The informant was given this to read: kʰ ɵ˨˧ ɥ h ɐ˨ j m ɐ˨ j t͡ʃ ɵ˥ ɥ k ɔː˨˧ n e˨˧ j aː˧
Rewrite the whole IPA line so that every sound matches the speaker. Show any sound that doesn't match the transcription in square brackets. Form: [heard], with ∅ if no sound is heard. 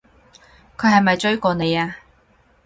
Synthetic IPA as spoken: kʰ ɵ˨˧ ɥ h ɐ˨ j m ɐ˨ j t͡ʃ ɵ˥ ɥ k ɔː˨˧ n e˨˧ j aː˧